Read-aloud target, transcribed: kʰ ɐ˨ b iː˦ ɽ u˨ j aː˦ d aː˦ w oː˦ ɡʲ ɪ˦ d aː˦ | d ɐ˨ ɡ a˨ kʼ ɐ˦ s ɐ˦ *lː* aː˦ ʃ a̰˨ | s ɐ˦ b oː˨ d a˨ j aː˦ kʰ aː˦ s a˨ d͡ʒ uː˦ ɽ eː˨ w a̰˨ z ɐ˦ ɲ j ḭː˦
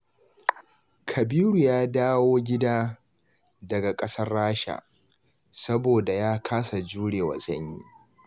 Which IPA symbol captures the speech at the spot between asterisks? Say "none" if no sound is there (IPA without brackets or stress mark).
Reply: rː